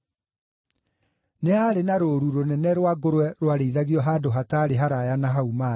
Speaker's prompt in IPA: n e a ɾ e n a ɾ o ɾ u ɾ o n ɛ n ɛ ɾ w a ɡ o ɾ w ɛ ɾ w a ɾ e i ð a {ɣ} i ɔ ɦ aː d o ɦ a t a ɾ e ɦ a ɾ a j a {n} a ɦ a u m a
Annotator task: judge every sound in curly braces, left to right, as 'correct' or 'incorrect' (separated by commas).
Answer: correct, correct